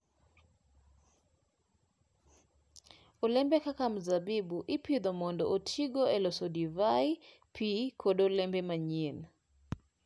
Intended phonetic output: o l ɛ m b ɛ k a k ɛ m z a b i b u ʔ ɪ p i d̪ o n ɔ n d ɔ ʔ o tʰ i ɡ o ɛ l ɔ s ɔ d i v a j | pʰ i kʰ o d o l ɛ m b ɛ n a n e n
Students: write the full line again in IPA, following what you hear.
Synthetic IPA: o l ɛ m b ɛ k a k a m z a b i b u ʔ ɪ p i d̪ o m ɔ n d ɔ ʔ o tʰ i ɡ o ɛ l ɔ s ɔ d i v a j | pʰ i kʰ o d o l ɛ m b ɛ m a ɲ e n